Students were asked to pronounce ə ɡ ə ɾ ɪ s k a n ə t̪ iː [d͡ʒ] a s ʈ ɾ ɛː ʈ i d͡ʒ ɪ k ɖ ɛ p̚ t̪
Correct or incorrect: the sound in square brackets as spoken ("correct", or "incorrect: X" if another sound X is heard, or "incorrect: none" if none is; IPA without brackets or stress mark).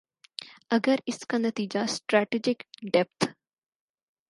correct